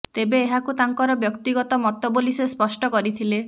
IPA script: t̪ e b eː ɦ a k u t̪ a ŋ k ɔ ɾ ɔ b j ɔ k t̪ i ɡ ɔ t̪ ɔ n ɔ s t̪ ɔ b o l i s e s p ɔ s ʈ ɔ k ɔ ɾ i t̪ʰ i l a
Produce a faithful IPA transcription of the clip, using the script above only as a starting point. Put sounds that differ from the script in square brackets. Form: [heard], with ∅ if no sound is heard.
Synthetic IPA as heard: t̪ e b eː ɦ a k u t̪ a ŋ k ɔ ɾ ɔ b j ɔ k t̪ i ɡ ɔ t̪ ɔ [m] ɔ [∅] t̪ ɔ b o l i s e s p ɔ s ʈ ɔ k ɔ ɾ i t̪ʰ i l [e]